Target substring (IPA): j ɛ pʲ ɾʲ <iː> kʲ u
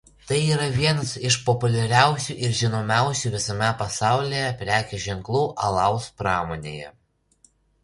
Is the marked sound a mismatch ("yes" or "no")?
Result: yes